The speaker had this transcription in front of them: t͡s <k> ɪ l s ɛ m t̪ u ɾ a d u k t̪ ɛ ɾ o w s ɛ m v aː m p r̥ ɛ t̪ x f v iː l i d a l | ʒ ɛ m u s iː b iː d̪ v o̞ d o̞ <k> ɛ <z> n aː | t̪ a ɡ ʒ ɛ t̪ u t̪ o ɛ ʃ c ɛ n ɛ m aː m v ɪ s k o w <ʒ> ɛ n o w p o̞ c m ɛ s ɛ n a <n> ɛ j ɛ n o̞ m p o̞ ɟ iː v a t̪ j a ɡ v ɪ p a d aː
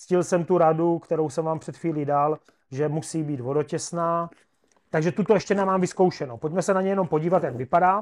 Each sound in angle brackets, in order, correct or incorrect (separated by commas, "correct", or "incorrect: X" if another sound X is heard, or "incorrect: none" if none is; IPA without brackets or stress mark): incorrect: c, incorrect: c, incorrect: s, incorrect: ʃ, incorrect: ɲ